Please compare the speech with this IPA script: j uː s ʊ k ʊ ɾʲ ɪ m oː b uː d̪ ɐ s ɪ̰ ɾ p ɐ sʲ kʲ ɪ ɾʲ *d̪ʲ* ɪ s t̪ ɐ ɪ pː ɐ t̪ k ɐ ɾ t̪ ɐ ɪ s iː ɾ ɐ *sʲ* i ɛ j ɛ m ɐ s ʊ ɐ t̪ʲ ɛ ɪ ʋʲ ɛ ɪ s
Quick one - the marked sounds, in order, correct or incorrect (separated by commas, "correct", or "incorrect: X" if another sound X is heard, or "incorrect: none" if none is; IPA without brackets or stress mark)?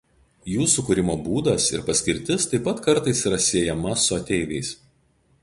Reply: incorrect: t̪ʲ, correct